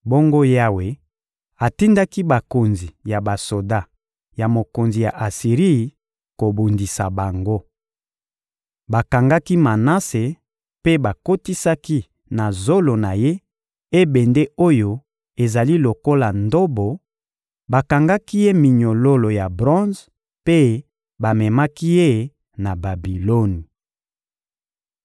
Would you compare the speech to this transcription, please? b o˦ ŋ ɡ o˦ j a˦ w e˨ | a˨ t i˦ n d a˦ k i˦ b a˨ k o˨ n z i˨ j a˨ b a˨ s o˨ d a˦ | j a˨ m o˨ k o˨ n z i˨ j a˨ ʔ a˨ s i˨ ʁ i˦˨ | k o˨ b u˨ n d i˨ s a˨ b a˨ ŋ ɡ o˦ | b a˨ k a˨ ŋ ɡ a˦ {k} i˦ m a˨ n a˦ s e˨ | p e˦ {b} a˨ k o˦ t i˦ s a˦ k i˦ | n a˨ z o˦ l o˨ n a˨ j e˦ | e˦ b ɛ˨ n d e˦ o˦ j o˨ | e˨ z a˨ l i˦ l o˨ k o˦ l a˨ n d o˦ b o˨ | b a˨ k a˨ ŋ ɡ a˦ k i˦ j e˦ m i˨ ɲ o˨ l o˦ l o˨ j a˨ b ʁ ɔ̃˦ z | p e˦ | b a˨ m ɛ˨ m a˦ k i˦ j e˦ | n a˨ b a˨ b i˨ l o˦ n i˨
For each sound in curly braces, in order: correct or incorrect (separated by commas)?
correct, correct